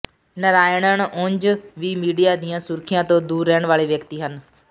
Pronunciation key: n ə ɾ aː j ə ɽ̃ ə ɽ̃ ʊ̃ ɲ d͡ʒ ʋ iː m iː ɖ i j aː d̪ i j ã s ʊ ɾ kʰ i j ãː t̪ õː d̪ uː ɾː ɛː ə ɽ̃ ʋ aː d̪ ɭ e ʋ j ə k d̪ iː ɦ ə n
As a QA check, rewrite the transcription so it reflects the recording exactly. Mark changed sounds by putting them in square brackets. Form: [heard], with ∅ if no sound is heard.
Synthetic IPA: n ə ɾ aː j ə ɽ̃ ə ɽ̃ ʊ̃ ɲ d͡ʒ ʋ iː m iː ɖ i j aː d̪ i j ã s ʊ ɾ kʰ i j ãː t̪ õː d̪ uː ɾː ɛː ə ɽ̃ ʋ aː [∅] ɭ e ʋ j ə k [t̪] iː ɦ ə n